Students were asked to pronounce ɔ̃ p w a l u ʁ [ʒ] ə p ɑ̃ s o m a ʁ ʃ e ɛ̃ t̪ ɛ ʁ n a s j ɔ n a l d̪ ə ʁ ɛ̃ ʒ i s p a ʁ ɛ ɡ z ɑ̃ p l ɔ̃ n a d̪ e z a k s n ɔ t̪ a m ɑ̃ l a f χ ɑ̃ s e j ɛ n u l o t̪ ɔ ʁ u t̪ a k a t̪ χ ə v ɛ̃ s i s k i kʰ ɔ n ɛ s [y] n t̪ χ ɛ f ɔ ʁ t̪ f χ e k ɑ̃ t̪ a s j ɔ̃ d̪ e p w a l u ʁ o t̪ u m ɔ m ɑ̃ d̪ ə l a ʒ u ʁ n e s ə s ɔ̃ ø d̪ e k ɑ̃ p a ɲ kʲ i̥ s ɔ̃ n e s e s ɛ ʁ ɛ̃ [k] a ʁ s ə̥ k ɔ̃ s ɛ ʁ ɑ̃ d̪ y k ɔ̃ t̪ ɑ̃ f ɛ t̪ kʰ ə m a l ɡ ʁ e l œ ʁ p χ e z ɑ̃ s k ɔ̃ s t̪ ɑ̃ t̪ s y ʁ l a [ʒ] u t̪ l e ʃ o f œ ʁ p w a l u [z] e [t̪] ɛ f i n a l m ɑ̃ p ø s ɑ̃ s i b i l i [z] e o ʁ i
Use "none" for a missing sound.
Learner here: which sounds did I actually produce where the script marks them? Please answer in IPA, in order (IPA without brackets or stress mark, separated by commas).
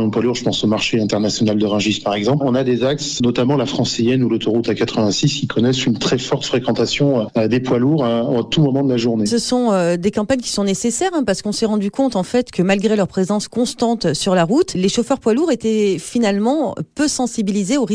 ʒ, y, p, ʁ, ʁ, t̪, z